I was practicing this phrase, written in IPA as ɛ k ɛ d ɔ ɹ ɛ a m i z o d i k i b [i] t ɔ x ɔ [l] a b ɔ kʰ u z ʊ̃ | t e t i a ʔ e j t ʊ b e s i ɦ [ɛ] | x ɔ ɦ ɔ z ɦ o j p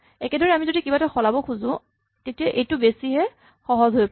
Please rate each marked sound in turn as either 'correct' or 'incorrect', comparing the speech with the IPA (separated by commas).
incorrect, correct, correct